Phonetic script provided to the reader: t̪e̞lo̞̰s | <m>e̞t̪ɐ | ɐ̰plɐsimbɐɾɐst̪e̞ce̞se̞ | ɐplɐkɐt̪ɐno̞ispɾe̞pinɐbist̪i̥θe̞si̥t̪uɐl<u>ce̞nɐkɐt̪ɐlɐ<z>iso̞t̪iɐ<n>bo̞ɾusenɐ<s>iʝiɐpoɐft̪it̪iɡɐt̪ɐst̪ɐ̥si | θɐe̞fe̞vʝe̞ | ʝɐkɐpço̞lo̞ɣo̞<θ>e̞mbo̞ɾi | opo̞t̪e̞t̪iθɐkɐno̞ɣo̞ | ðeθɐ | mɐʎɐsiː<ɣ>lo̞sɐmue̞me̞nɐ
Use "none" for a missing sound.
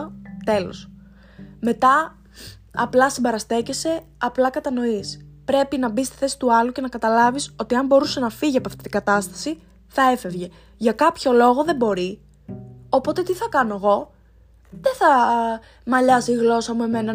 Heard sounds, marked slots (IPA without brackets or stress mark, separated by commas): m, u, v, m, f, ð, ɣ